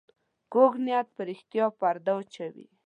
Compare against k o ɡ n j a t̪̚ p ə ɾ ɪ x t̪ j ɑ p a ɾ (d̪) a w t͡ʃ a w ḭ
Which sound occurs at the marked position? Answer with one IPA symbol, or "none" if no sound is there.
d̪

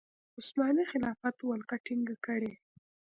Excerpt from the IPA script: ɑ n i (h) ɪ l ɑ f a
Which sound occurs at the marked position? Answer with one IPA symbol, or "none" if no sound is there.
x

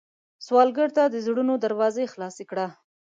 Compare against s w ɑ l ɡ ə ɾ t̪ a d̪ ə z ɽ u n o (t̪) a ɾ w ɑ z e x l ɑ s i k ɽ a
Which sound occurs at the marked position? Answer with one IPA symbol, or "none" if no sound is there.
d̪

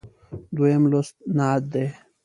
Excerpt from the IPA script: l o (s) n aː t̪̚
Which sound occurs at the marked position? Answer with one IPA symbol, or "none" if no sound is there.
s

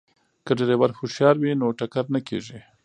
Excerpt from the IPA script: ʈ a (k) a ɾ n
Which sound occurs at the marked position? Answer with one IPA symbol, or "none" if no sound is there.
k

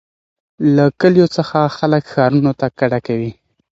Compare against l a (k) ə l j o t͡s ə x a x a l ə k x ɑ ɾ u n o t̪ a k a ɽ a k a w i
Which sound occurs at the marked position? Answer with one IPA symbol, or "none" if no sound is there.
k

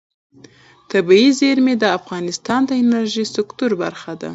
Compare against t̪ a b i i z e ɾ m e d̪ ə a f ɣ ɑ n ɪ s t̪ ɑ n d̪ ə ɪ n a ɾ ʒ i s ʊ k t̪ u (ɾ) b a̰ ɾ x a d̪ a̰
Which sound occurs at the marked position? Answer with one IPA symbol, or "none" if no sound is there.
ɾ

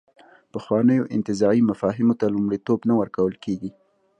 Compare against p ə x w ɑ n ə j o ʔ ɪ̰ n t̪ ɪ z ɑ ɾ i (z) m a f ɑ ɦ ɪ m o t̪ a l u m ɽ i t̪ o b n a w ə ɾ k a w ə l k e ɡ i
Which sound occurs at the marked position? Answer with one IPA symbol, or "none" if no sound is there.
none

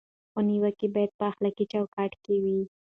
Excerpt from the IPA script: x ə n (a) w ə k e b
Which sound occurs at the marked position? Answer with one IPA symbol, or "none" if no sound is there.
i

